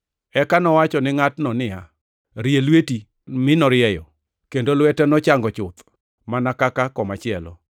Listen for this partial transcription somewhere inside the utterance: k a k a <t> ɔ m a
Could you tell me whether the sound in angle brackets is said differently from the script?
yes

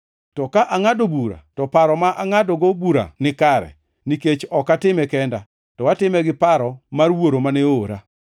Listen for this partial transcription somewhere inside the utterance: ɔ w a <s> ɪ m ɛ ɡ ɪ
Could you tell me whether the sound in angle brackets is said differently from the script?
yes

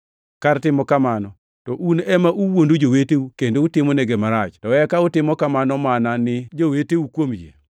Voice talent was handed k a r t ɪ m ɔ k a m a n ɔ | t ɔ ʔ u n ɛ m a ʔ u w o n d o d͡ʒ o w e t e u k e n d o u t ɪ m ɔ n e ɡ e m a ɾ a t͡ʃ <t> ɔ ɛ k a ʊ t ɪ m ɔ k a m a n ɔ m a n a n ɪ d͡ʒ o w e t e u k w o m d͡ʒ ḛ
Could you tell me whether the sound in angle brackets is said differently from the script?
no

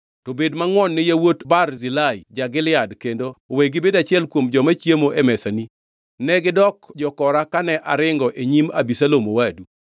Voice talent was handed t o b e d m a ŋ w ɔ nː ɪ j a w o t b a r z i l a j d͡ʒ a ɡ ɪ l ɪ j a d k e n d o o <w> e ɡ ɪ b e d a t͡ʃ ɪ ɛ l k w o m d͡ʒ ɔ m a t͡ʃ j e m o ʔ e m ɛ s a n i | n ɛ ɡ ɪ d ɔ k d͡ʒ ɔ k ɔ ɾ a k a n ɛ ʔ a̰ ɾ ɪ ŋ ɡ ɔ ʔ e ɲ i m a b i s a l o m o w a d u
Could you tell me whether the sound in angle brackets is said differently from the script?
no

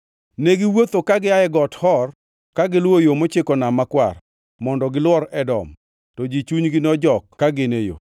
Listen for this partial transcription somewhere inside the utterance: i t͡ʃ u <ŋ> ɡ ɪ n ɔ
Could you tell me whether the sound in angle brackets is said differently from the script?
yes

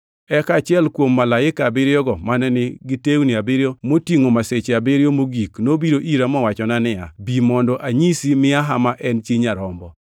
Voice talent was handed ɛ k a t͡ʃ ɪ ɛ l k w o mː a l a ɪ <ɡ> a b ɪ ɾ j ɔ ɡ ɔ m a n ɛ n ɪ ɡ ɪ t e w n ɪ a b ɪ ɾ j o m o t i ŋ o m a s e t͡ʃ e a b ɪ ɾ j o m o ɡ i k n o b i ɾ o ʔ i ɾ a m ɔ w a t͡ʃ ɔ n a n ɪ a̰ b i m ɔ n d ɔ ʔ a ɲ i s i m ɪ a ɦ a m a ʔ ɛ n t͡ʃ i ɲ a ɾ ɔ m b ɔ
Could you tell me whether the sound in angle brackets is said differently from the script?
yes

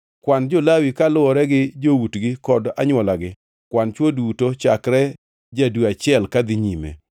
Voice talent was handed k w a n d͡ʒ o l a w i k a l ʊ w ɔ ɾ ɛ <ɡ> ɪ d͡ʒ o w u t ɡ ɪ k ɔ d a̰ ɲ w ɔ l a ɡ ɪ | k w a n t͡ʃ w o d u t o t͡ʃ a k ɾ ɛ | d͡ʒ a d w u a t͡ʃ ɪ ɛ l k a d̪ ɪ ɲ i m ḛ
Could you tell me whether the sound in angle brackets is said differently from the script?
no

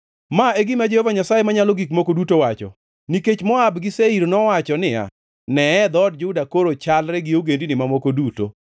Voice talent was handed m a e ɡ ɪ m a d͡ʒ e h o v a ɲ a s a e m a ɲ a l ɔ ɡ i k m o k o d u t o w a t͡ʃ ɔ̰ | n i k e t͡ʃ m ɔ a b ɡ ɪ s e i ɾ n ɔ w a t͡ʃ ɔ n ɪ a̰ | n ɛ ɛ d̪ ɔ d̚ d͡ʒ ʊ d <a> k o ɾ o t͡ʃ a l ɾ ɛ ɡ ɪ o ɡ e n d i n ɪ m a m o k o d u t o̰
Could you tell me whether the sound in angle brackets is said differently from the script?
no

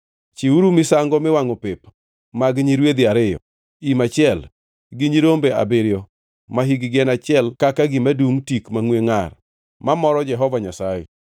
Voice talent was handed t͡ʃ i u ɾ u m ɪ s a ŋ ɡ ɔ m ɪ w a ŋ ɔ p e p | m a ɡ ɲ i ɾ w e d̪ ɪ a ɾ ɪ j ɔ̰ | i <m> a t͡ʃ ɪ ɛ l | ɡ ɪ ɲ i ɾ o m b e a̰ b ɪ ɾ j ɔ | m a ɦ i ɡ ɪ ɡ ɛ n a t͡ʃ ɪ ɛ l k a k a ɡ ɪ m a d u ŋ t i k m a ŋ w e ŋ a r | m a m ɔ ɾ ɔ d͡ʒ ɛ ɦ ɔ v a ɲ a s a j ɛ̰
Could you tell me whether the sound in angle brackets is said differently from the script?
no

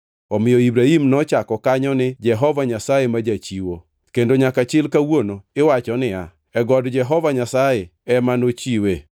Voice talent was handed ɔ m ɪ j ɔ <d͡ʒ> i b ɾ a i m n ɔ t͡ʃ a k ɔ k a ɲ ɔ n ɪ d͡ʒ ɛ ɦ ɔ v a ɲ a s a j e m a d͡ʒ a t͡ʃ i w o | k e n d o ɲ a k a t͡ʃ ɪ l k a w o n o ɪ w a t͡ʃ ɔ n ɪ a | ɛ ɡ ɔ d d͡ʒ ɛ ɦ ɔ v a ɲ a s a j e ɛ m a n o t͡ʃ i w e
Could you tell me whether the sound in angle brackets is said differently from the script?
yes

